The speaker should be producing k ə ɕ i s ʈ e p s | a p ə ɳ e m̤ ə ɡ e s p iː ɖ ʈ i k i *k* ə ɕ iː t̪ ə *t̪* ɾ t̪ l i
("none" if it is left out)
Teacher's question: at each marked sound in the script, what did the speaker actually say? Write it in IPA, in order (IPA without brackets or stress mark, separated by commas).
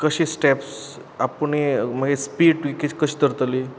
k, none